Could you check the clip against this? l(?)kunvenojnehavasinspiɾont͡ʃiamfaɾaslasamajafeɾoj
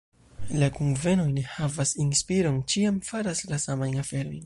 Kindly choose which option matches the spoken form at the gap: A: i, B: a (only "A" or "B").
B